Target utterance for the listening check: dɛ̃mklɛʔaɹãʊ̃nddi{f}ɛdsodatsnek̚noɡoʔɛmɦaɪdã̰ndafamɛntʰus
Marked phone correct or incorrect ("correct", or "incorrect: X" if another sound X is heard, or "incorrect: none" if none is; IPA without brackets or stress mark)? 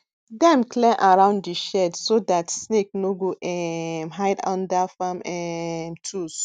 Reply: incorrect: ʃ